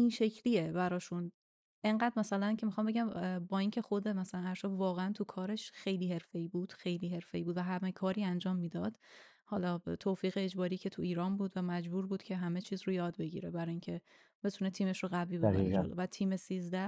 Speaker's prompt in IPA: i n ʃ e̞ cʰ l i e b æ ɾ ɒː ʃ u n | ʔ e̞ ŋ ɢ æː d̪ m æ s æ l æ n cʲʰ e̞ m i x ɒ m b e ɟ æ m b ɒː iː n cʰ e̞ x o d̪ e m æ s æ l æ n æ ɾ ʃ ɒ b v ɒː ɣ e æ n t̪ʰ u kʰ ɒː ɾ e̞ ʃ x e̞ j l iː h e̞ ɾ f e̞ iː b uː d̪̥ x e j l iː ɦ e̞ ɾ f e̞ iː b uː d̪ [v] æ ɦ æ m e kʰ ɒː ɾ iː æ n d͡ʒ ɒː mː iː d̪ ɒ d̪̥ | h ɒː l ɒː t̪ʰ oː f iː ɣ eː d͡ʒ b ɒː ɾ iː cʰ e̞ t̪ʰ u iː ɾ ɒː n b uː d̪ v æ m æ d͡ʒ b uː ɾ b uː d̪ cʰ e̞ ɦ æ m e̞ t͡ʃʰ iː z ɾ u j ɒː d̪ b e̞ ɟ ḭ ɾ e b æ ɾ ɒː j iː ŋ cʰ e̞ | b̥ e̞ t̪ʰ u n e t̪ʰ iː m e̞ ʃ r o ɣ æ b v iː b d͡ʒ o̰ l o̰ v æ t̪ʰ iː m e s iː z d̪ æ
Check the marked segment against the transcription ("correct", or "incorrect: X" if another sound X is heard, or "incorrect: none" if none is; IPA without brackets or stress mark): correct